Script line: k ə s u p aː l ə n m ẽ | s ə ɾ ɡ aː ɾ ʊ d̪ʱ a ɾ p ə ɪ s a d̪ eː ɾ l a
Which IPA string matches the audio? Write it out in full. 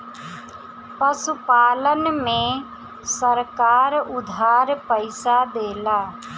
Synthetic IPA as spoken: p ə s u p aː l ə n m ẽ | s ə ɾ k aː ɾ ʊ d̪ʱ a ɾ p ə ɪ s a d̪ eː l a